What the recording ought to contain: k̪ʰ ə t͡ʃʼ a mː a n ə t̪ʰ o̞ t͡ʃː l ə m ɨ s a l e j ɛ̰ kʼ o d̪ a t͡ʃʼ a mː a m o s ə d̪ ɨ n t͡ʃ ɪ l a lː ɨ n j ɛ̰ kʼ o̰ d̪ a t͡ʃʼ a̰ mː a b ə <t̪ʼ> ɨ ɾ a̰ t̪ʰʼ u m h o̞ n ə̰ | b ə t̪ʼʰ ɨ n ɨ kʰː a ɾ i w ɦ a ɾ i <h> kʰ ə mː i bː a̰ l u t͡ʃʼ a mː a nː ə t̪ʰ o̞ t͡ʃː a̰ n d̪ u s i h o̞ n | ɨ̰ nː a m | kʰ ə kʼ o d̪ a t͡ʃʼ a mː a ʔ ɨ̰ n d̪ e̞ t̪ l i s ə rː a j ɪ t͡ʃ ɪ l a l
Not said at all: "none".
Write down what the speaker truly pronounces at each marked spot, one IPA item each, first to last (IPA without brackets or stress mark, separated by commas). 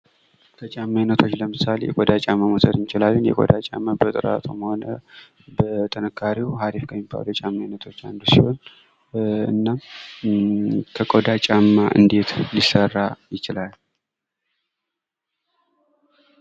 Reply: t̪ʼ, f